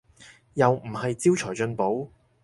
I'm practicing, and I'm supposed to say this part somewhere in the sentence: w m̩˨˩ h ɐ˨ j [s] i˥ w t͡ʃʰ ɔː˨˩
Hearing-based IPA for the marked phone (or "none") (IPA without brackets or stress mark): t͡s